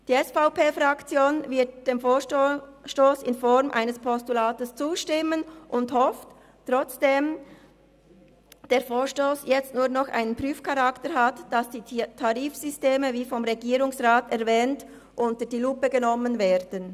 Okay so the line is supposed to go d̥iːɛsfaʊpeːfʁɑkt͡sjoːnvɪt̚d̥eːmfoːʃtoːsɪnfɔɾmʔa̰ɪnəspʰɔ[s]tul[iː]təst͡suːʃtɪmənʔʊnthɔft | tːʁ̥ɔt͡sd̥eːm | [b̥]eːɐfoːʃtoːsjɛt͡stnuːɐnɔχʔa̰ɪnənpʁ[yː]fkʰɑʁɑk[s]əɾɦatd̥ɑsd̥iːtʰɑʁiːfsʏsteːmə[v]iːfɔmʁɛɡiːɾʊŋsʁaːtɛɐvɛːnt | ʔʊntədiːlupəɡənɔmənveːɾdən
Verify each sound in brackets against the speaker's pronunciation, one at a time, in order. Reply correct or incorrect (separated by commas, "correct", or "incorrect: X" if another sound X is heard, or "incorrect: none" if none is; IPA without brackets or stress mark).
correct, incorrect: aː, incorrect: d̥, correct, incorrect: t, correct